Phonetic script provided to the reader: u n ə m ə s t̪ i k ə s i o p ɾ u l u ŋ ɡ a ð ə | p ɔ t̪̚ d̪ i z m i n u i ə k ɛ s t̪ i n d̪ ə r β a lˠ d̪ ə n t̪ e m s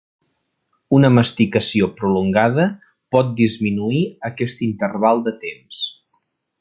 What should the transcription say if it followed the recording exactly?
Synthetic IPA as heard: u n ə m ə s t̪ i k ə s i o p ɾ u l u ŋ ɡ a ð ə | p ɔ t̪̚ d̪ i z m i n u i ə k ɛ s t̪ i n t̪ ə r β a lˠ d̪ ə t̪ e m s